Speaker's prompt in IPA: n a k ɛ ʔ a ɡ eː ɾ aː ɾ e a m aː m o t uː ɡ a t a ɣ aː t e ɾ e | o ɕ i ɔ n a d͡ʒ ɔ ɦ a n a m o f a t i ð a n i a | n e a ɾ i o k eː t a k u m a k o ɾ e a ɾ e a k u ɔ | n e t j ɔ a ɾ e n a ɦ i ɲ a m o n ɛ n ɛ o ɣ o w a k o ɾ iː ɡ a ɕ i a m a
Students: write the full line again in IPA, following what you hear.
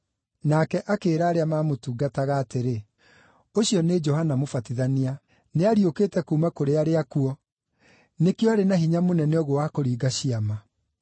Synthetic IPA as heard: n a k ɛ ʔ a k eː ɾ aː ɾ e a m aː m o t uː ɡ a t a ɣ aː t e ɾ e | o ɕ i ɔ n e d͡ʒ ɔ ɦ a n a m o f a t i ð a n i a | n e a ɾ i o k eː t ɛ k u m a k o ɾ e a ɾ e a k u ɔ | n e k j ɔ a ɾ e n a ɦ i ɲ a m o n ɛ n ɛ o ɣ o w a k o ɾ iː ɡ a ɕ i a m a